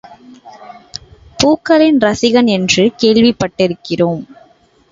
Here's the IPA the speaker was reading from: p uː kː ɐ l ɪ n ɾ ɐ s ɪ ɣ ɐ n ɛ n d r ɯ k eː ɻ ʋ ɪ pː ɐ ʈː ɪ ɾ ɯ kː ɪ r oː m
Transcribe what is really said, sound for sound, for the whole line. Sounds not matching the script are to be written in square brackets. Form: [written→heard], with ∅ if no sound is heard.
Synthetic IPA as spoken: p uː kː ɐ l ɪ n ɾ ɐ s ɪ ɣ ɐ n ɛ n d r ɯ k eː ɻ ʋ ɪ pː ɐ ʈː ɪ ɾ ɯ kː ɪ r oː m